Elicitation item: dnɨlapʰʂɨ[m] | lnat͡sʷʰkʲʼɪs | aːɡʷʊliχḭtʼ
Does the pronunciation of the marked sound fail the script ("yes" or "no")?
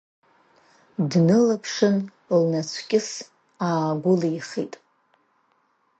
yes